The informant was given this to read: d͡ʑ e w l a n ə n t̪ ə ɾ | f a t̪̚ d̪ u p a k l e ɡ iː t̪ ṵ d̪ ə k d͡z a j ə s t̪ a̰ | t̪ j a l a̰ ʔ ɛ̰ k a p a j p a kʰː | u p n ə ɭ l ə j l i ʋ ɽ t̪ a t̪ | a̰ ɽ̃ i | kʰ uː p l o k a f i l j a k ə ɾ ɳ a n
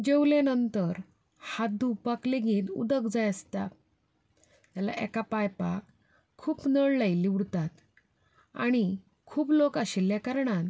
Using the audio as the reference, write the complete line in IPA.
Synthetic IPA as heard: d͡ʑ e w l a n ə n t̪ ə ɾ | h a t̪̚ d̪ u p a k l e ɡ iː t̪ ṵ d̪ ə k d͡z a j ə s t̪ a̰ | t̪ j a l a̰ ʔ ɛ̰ k a p a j p a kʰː | uː p n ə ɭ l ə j l i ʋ ɽ t̪ a t̪ | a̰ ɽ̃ i | kʰ uː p l o k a ɕ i l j a k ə ɾ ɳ a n